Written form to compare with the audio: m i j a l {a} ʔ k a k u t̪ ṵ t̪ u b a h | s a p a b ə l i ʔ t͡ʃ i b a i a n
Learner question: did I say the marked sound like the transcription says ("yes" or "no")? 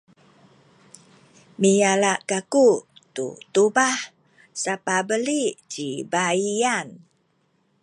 yes